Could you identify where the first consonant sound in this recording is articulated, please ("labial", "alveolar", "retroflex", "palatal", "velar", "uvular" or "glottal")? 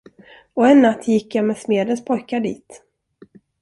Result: alveolar